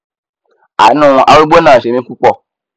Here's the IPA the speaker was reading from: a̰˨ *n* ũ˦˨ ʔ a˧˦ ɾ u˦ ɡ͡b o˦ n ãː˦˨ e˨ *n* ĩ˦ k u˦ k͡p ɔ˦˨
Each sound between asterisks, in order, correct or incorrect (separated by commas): correct, incorrect